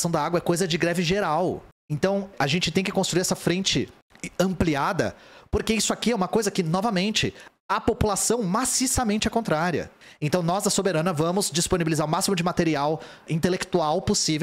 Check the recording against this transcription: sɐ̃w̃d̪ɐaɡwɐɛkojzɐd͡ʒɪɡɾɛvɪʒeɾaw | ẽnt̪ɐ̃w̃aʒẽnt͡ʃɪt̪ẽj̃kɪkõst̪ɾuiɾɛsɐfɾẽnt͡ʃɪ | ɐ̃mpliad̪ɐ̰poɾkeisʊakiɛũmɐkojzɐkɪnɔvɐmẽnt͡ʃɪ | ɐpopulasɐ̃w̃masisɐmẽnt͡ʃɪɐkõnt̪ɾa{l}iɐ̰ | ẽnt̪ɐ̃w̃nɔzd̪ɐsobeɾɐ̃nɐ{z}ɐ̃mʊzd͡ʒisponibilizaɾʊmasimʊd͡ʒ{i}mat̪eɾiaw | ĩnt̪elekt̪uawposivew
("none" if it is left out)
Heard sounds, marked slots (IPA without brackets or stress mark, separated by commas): ɾ, v, ɪ